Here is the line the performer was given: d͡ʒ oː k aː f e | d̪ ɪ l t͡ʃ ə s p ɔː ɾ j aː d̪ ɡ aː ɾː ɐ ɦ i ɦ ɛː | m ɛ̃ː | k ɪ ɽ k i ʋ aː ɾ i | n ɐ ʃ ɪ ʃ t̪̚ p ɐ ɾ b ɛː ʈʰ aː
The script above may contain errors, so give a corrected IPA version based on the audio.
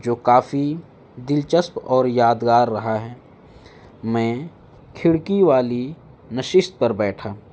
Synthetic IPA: d͡ʒ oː k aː f i | d̪ ɪ l t͡ʃ ə s p ɔː ɾ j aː d̪ ɡ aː ɾː ɐ ɦ a ɦ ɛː | m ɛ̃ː | kʰ ɪ ɽ k i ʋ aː l i | n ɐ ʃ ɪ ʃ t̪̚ p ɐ ɾ b ɛː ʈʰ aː